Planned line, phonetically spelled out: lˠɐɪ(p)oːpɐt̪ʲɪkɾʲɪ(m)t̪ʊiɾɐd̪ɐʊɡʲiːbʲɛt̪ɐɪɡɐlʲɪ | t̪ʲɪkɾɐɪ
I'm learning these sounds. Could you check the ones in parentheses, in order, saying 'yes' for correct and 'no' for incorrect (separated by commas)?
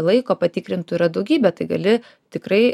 no, no